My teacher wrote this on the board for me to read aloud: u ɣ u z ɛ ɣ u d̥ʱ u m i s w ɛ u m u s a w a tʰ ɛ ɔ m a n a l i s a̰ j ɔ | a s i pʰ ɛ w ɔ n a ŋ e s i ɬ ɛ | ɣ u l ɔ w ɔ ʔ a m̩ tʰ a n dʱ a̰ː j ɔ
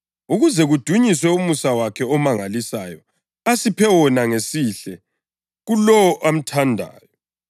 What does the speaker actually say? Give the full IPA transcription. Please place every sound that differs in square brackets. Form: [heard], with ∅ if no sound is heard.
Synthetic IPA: u ɣ u z ɛ ɣ u d̥ʱ u [ɲ] i s w ɛ u m u s a w a [kʰ] ɛ ɔ m a [ŋ] a l i s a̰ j ɔ | a s i pʰ ɛ w ɔ n a ŋ e s i ɬ ɛ | ɣ u l ɔ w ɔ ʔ a m̩ tʰ a n dʱ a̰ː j ɔ